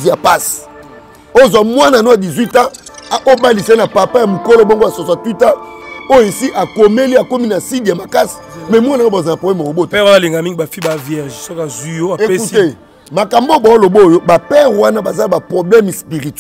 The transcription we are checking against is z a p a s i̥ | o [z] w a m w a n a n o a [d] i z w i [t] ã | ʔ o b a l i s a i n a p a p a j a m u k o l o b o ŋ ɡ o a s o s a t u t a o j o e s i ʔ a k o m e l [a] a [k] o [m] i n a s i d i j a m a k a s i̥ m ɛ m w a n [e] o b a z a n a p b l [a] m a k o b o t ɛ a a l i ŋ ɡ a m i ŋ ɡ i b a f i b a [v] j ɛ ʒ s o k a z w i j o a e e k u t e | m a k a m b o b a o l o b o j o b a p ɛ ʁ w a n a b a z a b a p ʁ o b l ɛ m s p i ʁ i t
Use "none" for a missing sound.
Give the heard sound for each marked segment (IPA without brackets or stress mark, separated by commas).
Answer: z, d, t, i, k, m, a, ɛ, v